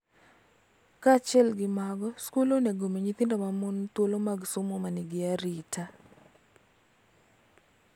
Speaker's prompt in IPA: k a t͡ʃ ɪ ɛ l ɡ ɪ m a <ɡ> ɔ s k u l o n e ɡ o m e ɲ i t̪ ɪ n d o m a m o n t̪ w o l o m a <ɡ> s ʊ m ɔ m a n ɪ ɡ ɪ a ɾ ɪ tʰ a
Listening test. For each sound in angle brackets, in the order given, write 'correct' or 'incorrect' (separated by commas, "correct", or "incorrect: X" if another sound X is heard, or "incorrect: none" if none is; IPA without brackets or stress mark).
correct, correct